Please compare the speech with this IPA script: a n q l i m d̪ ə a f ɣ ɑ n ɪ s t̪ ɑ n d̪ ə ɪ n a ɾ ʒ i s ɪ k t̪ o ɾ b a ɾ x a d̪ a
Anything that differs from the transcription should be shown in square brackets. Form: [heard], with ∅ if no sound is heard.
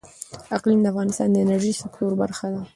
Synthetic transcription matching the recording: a [∅] q l i m d̪ ə a f ɣ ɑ n ɪ s t̪ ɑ n d̪ ə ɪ n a ɾ ʒ i s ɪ k t̪ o ɾ b a ɾ x a d̪ a

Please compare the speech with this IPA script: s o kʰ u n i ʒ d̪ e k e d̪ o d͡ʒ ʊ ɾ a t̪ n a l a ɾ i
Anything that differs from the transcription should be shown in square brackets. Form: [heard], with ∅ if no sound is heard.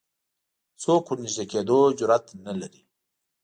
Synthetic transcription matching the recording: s o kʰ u n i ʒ d̪ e k e d̪ o d͡ʒ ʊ ɾ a t̪ n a l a ɾ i

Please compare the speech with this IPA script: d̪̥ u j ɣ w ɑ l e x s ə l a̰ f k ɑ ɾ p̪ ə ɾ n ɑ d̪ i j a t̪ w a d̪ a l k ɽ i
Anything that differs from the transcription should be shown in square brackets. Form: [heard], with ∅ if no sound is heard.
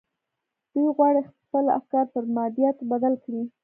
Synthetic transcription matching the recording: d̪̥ u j ɣ w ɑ [ɽ] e x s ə l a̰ f k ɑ ɾ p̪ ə ɾ [m] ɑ d̪ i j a t̪ [b] a d̪ a l k ɽ i

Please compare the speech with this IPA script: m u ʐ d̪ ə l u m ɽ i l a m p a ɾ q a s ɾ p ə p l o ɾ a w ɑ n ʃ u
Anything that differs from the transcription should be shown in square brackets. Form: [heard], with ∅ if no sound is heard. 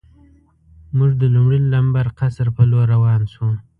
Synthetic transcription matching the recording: m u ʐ d̪ ə l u m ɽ i l a m [b] a ɾ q a s ɾ p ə [∅] l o ɾ a w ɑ n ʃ u

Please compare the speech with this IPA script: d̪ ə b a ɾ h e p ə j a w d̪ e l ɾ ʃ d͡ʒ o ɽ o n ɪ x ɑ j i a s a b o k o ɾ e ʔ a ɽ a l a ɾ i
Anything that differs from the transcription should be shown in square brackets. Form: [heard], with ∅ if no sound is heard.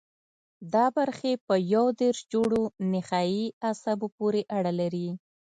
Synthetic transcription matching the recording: d̪ [ɑ] b a ɾ [x] e p ə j a w d̪ e [∅] ɾ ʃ d͡ʒ o ɽ o n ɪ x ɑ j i a s a b o [p] o ɾ e ʔ a ɽ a l a ɾ i

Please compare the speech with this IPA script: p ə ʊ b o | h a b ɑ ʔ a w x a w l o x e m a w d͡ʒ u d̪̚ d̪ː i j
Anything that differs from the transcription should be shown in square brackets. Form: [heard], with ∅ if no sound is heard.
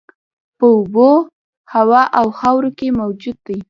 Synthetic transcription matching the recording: p ə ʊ b o | h a [w] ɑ ʔ a w x a w [ɾ] o [k] e m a w d͡ʒ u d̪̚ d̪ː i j

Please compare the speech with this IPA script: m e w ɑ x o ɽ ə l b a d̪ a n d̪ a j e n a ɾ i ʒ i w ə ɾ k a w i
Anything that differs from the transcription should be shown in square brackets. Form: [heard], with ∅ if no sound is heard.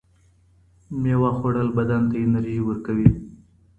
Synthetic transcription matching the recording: m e w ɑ x o ɽ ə l b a d̪ a n [t̪] a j e n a ɾ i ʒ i w ə ɾ k a w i

